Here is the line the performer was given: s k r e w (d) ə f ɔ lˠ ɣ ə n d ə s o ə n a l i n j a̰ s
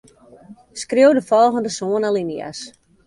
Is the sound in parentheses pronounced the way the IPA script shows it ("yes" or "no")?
yes